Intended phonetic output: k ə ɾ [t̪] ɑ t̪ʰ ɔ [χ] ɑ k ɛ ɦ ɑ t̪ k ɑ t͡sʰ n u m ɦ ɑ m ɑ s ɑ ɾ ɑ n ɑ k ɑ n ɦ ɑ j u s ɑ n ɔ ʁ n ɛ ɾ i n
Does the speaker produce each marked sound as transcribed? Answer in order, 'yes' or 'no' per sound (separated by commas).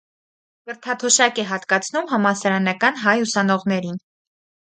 no, no